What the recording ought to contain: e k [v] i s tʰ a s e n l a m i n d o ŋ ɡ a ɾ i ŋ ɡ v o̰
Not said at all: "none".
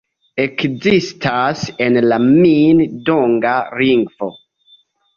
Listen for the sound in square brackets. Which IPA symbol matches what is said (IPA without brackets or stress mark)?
z